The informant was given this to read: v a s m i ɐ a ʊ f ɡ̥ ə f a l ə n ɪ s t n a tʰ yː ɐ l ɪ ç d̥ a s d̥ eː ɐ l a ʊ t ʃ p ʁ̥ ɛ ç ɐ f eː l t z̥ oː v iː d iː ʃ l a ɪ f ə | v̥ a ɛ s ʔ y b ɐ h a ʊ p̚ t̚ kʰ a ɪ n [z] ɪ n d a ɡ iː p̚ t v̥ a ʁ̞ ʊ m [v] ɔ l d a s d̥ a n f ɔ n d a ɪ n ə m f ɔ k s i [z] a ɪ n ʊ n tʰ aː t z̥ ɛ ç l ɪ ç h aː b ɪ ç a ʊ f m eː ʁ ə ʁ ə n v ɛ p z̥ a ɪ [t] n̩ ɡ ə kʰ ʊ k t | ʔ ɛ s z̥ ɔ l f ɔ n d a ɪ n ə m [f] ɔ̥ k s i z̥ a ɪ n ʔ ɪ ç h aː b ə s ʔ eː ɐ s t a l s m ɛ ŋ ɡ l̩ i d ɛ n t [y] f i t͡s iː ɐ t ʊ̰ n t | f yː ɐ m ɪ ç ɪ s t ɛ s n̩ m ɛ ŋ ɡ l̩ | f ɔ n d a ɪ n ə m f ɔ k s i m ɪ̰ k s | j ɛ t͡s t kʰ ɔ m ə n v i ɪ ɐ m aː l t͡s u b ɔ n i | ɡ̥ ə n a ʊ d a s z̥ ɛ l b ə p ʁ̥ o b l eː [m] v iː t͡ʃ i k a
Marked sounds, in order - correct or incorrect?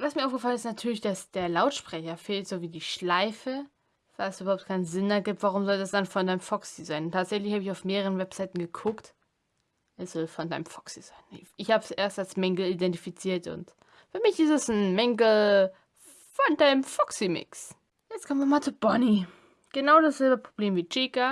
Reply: correct, incorrect: z, correct, correct, correct, incorrect: i, correct

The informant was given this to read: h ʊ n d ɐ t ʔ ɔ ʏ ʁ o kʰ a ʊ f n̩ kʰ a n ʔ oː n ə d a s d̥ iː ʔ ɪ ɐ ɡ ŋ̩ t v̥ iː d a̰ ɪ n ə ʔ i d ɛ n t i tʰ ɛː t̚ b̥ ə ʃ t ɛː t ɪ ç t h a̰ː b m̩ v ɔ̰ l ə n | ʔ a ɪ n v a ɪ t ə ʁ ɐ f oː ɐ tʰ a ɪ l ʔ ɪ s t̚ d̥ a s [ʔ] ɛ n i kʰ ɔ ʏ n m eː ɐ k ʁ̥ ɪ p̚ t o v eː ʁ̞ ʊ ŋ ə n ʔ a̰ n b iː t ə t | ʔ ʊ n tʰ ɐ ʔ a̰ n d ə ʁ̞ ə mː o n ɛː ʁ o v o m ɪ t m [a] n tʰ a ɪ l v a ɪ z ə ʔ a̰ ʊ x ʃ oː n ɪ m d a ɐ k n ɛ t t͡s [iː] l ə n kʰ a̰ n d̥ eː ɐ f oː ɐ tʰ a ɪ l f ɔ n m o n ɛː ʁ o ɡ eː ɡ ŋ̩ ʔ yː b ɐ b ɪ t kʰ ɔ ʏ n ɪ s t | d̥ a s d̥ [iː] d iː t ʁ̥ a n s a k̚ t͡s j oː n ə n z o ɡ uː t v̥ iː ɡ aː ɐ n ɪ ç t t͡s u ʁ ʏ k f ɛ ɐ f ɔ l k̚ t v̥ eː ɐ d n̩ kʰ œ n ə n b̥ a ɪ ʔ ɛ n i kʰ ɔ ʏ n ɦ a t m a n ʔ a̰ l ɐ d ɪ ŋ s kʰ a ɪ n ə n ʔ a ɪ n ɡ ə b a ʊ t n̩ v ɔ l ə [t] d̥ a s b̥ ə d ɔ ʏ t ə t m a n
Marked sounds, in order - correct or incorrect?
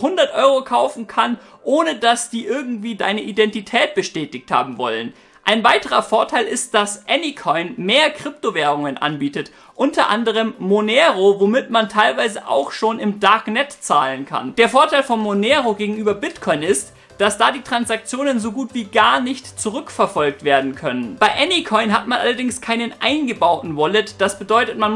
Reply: correct, correct, incorrect: aː, incorrect: aː, correct

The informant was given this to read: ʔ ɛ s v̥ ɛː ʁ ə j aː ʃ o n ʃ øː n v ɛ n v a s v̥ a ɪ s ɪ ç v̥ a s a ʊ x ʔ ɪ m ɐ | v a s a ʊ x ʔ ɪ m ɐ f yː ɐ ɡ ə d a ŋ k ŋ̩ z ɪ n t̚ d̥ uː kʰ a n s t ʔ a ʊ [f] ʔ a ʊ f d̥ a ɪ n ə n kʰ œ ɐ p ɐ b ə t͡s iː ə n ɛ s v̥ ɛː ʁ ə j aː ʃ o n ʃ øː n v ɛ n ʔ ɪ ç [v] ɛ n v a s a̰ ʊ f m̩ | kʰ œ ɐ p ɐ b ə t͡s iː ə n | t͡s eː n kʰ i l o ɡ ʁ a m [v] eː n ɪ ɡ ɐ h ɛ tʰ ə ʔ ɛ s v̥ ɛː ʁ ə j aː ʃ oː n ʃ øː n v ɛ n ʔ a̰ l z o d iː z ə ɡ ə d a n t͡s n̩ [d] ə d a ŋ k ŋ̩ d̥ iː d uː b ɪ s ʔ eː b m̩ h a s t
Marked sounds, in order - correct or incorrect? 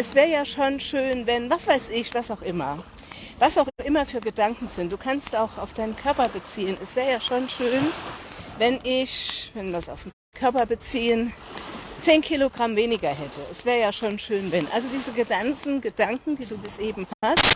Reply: incorrect: x, correct, correct, incorrect: ɡ

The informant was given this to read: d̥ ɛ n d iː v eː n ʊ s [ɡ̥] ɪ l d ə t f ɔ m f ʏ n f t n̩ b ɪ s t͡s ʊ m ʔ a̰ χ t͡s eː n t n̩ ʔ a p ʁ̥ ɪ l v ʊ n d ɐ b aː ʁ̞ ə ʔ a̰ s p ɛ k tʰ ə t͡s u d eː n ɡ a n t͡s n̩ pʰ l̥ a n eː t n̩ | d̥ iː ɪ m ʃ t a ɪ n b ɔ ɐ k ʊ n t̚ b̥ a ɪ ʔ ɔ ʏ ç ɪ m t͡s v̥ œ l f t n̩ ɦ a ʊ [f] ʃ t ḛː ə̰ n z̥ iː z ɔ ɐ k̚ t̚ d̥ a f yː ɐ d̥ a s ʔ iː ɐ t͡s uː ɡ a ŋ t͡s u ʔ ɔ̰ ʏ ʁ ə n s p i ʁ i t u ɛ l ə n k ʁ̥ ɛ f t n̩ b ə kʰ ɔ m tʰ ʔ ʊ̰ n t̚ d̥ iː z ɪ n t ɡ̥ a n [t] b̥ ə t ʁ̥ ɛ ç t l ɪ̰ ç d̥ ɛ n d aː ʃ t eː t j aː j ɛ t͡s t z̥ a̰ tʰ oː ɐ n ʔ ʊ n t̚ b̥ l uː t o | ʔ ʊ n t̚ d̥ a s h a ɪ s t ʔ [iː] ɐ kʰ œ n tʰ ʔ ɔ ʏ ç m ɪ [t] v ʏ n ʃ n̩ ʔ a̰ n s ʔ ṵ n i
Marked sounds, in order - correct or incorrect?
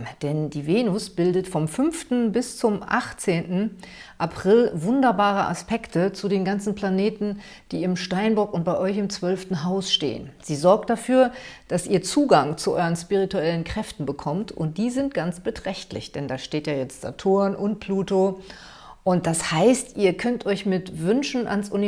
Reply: incorrect: b̥, incorrect: s, incorrect: t͡s, correct, correct

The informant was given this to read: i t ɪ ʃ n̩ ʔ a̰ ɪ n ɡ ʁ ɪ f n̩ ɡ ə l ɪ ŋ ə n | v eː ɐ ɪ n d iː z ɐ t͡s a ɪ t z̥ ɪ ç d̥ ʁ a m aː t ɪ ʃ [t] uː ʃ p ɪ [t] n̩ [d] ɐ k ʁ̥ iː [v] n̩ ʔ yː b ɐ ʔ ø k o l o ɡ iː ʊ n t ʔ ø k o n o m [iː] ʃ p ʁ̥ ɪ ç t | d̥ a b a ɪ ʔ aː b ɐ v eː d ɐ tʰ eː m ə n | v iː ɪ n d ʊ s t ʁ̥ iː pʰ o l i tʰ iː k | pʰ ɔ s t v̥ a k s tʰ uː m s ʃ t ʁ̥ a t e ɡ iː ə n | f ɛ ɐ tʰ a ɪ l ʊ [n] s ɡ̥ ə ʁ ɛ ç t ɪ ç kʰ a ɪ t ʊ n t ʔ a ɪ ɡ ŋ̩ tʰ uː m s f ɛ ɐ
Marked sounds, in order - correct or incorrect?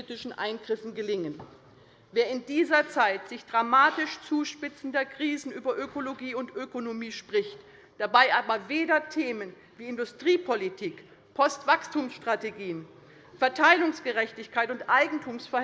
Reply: incorrect: t͡s, incorrect: t͡s, correct, incorrect: z, correct, incorrect: ŋ

